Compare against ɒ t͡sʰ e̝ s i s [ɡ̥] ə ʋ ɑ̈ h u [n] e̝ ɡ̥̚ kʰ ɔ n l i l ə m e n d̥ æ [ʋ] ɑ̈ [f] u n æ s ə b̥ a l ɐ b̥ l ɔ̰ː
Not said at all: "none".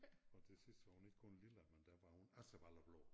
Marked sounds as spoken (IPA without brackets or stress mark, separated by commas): d̥, n, ʋ, h